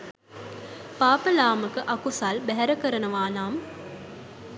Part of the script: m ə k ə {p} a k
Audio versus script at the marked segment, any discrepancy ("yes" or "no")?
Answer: yes